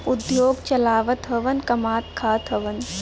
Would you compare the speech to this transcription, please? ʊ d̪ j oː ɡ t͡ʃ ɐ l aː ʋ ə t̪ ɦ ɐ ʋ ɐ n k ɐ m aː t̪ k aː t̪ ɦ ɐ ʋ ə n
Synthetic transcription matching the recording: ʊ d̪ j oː ɡ t͡ʃ ɐ l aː ʋ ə t̪ ɦ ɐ ʋ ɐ n k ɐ m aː t̪ kʰ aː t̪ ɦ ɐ ʋ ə n

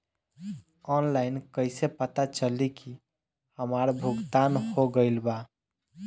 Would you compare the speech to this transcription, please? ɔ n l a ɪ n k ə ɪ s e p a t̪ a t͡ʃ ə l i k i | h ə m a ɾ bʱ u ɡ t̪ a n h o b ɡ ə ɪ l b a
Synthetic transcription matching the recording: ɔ n l a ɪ n k ə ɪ s e p ə t̪ a t͡ʃ ə l i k i | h ə m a ɾ bʱ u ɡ t̪ a n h o ɡ ə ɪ l b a

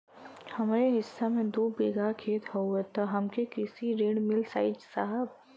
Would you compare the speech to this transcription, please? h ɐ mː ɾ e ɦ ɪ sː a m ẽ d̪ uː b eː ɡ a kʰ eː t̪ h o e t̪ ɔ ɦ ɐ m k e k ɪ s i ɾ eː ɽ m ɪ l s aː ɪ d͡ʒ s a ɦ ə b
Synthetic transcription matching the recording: h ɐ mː ɾ e ɦ ɪ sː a m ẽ d̪ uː b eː ɡ a kʰ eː t̪ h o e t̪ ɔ ɦ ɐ m k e k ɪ s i ɾ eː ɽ m ɪ l s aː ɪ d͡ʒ s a ɦ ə b

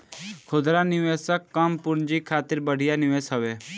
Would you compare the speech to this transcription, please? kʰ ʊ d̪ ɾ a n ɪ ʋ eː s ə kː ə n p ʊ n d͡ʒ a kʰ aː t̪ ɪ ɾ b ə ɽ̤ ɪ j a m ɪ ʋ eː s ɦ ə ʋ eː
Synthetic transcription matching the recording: kʰ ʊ d̪ ɾ a n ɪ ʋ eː s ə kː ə m p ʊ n d͡ʒ i kʰ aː t̪ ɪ ɾ b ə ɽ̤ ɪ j a n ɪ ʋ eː s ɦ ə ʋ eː

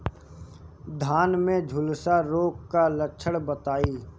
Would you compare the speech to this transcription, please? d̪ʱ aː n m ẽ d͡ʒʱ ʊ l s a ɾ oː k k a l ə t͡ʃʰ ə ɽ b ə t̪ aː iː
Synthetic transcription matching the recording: d̪ʱ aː n m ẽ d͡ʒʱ ʊ l s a ɾ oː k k a l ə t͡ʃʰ ə ɽ b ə t̪ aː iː

